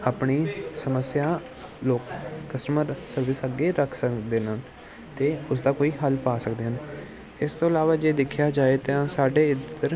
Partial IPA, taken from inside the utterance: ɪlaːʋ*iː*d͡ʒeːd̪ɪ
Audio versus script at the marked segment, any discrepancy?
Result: yes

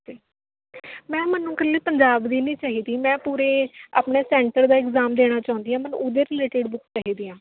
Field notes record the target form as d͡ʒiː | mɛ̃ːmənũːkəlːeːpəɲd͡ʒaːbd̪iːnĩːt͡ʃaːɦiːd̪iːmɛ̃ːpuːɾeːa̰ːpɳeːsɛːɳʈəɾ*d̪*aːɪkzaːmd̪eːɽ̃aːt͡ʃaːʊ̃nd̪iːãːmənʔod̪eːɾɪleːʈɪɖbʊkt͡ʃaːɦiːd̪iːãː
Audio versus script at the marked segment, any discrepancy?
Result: no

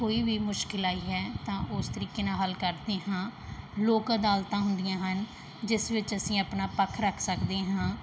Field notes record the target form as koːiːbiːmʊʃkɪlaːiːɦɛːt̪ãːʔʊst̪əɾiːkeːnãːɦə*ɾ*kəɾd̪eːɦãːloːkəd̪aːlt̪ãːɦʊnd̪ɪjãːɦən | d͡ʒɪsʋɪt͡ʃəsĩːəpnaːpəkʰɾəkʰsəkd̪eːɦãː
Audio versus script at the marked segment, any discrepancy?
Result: yes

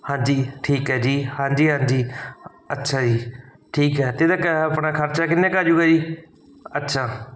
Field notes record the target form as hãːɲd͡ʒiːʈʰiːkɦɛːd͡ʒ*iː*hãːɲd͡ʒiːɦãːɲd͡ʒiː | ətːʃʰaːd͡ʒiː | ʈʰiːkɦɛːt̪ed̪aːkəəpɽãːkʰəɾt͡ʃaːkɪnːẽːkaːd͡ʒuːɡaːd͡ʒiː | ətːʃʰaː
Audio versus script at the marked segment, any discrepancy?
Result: no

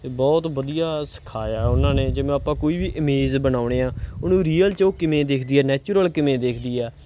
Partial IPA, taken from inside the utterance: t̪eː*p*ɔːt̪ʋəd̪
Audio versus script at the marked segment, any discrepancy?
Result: yes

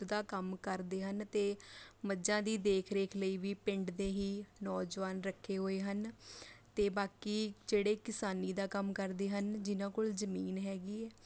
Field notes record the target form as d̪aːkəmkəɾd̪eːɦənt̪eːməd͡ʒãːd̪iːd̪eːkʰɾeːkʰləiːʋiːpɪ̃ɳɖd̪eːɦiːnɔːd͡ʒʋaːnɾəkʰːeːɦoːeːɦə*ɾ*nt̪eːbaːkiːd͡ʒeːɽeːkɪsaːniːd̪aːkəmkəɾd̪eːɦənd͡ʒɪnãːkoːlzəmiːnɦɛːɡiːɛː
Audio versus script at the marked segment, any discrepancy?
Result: yes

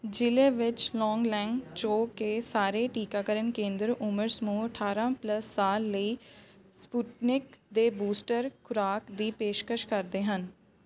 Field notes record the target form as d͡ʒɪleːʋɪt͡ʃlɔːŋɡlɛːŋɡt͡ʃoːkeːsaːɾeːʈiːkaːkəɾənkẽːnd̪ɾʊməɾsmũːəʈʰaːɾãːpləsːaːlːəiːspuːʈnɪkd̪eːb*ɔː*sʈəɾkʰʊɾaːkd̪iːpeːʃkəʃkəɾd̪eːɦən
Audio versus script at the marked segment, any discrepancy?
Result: yes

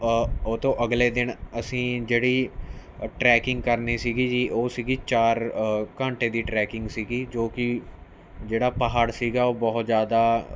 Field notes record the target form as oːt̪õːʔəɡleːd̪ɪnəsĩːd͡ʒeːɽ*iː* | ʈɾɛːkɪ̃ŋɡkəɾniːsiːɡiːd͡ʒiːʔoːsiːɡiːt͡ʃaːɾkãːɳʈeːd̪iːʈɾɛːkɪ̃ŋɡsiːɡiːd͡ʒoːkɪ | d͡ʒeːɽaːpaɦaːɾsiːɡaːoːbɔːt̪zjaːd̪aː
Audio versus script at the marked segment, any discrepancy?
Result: no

